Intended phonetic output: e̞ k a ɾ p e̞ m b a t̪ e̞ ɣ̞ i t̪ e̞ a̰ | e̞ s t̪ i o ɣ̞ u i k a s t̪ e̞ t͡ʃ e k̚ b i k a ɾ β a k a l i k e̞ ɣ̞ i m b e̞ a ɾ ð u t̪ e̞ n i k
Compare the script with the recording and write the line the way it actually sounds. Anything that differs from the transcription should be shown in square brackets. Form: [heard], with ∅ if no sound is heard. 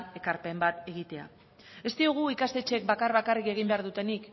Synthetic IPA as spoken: e̞ k a ɾ p e̞ m b a t̪ e̞ ɣ̞ i t̪ e̞ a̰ | e̞ s t̪ i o ɣ̞ u i k a s t̪ e̞ t͡ʃ e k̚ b [a] k a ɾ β a k a [r] i k e̞ ɣ̞ i m b e̞ a ɾ ð u t̪ e̞ n i k